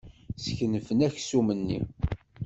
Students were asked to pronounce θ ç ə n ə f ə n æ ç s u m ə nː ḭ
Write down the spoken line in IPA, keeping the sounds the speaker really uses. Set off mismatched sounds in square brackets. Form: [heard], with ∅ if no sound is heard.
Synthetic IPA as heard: [s] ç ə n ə f ə n æ ç s u m ə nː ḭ